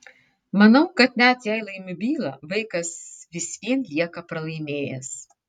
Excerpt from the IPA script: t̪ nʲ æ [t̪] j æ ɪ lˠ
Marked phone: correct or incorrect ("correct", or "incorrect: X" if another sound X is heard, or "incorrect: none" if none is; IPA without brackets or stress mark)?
correct